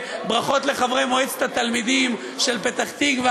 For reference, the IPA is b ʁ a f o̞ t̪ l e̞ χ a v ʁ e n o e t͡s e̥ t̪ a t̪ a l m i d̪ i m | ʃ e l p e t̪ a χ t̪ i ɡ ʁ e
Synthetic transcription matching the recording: b ʁ a χ o̞ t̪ l e̞ χ a v ʁ e m o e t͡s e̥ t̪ a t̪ a l m i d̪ i m | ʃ e l p e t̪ a χ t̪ i ɡ v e